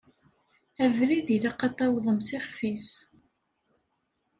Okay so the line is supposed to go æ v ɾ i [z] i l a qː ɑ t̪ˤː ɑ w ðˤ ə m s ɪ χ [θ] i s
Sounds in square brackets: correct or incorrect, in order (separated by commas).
incorrect, incorrect